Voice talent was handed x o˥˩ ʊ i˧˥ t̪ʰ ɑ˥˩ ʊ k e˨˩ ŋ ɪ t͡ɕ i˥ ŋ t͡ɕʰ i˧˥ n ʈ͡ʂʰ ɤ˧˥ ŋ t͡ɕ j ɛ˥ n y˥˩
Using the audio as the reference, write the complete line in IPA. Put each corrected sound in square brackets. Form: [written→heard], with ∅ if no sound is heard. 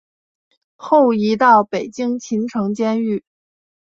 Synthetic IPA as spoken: x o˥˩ ʊ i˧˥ [t̪ʰ→t̪] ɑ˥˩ ʊ [k→p] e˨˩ [ŋ→∅] ɪ t͡ɕ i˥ ŋ t͡ɕʰ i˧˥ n ʈ͡ʂʰ ɤ˧˥ ŋ t͡ɕ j ɛ˥ n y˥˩